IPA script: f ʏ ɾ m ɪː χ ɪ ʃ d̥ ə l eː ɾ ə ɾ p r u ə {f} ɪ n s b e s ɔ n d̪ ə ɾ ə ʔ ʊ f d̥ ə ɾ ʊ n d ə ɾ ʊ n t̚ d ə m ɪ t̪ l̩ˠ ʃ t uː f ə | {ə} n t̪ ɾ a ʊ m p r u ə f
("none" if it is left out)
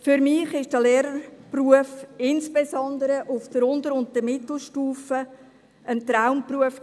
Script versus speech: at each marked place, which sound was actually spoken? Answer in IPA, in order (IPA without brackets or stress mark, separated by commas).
f, ə